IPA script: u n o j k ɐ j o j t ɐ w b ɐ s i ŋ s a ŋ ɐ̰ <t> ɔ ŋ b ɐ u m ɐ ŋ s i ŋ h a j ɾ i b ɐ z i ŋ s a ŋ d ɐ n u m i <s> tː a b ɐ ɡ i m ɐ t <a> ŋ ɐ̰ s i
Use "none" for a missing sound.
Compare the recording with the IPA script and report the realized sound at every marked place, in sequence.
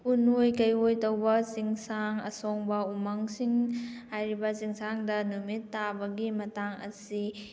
s, none, a

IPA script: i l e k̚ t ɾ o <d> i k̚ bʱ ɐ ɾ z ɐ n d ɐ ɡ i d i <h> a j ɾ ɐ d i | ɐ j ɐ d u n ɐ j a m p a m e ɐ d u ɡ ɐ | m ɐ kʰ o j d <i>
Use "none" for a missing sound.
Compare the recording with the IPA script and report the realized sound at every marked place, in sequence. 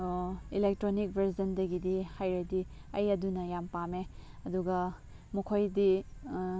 n, h, i

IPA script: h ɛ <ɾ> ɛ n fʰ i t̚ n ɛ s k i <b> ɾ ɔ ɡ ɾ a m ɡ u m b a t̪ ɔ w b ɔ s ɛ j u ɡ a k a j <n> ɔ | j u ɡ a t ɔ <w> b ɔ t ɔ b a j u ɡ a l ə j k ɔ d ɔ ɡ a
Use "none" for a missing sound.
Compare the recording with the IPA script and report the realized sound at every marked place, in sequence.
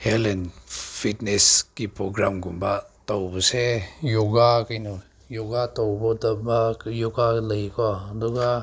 l, p, n, w

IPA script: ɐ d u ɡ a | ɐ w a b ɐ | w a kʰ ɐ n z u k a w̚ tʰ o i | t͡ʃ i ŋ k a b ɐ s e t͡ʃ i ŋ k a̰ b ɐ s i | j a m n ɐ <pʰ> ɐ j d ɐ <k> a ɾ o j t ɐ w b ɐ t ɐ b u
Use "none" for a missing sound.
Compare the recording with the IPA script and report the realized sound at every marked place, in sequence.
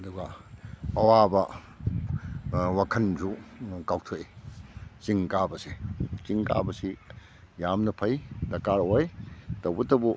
pʰ, k

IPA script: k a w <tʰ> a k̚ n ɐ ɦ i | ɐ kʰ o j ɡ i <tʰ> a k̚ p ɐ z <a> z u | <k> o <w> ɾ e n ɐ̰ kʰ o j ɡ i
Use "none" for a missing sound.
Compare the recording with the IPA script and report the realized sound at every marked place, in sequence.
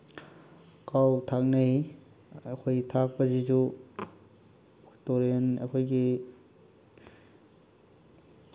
tʰ, tʰ, i, t, none

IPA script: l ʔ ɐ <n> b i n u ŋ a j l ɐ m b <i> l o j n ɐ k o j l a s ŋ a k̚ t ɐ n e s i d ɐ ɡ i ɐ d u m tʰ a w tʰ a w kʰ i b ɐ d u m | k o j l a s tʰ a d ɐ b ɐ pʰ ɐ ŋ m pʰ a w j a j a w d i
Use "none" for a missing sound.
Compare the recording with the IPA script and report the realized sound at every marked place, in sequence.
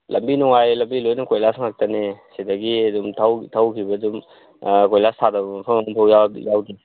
m, i

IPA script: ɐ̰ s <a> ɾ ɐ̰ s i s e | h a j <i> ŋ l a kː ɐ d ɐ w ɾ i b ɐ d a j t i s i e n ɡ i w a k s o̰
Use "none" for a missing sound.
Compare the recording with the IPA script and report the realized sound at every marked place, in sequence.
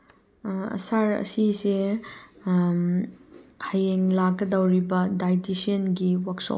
a, e

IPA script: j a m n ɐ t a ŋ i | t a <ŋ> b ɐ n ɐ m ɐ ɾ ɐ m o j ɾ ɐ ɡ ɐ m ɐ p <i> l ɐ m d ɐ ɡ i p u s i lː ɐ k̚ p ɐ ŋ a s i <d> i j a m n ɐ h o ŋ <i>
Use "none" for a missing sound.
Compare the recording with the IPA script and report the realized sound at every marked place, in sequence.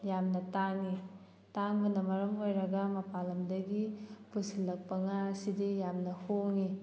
ŋ, a, d, i

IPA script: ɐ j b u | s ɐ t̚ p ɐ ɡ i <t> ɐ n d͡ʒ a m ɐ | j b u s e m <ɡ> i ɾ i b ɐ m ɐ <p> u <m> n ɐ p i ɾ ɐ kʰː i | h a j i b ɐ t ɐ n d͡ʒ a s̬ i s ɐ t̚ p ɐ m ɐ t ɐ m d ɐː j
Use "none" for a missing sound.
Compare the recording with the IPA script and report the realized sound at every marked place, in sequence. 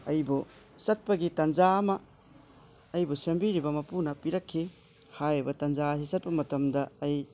t, b, p, none

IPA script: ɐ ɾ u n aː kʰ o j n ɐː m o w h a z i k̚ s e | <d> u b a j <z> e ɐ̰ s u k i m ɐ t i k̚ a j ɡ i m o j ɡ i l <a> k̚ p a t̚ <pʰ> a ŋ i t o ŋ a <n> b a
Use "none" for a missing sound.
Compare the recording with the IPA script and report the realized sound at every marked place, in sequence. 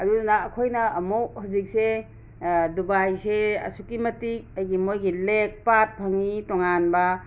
d, s, e, pʰ, n

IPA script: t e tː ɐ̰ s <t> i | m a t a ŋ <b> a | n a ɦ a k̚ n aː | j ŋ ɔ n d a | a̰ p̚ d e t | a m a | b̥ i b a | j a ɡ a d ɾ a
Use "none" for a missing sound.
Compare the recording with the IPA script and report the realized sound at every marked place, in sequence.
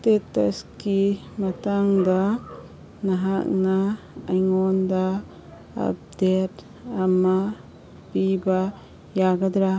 k, d

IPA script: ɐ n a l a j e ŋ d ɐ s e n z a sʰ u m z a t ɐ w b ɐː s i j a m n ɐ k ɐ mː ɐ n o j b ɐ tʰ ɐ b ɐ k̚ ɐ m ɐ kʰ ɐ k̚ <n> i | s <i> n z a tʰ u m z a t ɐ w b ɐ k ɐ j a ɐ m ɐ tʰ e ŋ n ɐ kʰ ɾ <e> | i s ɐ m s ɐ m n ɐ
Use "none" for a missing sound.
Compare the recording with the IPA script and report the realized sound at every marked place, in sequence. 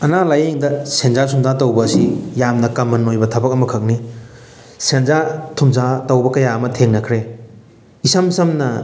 n, e, e

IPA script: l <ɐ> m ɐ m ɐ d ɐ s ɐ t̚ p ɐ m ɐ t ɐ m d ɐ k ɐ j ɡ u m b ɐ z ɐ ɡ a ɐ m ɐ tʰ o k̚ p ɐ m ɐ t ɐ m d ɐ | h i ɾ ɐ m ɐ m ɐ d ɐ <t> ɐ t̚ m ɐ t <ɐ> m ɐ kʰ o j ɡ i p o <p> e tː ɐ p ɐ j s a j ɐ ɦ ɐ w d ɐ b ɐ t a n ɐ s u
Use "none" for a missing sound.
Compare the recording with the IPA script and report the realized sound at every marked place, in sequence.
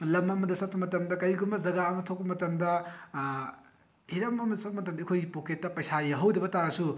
ɐ, s, ɐ, k

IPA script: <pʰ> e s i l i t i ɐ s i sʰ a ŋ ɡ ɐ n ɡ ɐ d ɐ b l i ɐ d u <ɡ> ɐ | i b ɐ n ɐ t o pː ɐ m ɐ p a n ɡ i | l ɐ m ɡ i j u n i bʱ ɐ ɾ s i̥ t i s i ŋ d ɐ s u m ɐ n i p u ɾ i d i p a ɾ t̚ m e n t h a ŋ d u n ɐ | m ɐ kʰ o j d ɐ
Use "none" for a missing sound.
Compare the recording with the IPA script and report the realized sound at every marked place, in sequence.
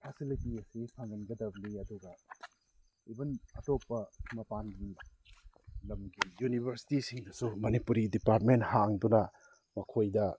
pʰ, ɡ

